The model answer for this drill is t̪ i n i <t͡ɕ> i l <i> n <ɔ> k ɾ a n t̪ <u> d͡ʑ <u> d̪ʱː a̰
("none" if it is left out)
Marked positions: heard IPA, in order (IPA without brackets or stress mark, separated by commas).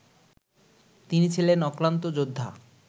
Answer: t͡ɕʰ, e, ɔ, o, o